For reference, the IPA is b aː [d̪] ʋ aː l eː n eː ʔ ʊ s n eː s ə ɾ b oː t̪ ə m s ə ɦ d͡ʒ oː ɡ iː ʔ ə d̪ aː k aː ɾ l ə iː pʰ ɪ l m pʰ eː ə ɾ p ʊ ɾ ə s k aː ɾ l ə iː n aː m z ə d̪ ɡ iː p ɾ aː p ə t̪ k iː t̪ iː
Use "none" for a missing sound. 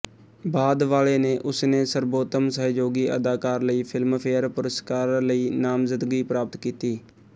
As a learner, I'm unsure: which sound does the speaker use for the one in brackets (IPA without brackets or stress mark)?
d̪